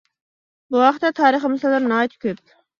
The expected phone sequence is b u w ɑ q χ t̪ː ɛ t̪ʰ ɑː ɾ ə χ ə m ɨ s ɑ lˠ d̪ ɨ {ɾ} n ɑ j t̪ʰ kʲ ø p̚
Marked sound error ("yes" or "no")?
no